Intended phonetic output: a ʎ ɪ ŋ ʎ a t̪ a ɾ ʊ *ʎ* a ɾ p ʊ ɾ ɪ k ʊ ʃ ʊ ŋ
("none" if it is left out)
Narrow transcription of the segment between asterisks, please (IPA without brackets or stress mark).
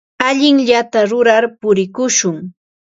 ɾ